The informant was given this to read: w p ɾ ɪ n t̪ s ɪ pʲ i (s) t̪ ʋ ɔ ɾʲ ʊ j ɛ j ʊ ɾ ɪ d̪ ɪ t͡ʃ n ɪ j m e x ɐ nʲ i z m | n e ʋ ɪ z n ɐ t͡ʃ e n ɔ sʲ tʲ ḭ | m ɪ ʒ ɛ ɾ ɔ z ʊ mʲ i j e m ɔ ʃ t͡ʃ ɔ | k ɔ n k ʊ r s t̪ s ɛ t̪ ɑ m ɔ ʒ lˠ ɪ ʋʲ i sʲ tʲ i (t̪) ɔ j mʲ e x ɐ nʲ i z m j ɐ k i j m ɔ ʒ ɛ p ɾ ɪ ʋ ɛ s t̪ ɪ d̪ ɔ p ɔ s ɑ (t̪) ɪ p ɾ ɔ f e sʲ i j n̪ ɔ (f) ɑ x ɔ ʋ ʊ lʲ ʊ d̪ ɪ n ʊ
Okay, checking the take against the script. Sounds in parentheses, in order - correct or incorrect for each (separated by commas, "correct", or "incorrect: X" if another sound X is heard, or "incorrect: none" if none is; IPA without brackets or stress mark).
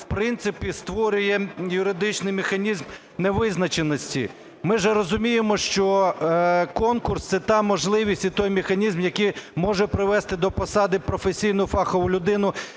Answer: correct, correct, incorrect: d̪, correct